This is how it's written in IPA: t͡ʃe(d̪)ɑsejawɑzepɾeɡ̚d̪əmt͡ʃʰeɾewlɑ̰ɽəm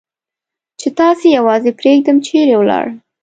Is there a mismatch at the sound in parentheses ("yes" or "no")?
yes